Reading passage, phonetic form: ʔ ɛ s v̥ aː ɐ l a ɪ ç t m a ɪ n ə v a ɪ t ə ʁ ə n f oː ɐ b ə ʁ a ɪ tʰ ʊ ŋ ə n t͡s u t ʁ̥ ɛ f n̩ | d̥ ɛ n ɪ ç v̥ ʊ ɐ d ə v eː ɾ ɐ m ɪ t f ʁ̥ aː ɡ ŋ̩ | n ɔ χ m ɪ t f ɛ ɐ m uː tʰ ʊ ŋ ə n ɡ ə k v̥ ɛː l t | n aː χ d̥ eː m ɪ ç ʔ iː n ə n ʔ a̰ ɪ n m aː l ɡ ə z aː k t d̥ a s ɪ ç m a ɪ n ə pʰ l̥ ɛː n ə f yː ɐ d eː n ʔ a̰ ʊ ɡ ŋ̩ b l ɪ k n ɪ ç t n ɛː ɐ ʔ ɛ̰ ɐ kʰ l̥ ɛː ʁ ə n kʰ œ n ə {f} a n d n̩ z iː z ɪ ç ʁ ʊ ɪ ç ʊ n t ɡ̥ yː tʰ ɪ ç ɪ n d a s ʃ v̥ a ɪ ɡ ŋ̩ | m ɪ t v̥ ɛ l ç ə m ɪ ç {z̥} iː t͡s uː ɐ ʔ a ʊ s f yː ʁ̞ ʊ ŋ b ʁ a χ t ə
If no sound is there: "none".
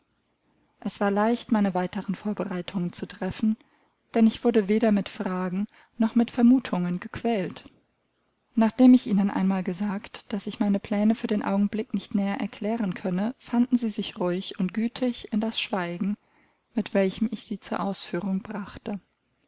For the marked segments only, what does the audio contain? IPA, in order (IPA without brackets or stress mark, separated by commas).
f, z̥